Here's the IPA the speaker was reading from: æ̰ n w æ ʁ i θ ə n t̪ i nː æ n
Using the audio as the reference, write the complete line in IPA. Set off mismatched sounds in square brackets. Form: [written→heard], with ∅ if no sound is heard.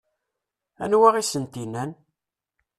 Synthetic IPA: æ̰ n w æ ʁ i [θ→s] ə n t̪ i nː æ n